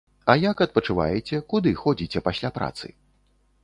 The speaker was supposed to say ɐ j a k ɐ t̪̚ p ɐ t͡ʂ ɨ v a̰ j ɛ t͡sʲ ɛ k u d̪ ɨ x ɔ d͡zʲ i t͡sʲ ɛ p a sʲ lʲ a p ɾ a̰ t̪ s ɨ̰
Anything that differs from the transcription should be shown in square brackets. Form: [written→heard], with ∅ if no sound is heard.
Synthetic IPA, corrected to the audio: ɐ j a k ɐ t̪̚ p ɐ t͡ʂ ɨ v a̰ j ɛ t͡sʲ ɛ k u d̪ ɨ x ɔ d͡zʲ i t͡sʲ ɛ p a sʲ lʲ a p ɾ a̰ t̪ s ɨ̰